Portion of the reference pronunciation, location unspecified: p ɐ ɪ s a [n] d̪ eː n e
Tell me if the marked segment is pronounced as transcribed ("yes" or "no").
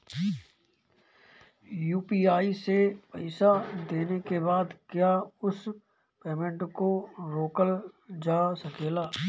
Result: no